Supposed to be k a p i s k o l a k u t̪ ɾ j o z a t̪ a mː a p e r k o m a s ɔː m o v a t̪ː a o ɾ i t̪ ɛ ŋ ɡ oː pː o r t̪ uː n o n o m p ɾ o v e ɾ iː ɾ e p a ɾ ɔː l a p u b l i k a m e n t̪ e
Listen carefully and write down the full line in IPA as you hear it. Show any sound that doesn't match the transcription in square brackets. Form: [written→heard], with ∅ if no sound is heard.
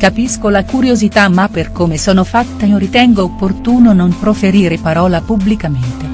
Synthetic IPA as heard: k a p i s k o l a k u [t̪→∅] ɾ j o z [a→i] t̪ a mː a p e r k o m [a→e] s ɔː [m→n] o [v→f] a t̪ː a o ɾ i t̪ ɛ ŋ ɡ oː pː o r t̪ uː n o n o m p ɾ o [v→f] e ɾ iː ɾ e p a ɾ ɔː l a p u b l i k a m e n t̪ e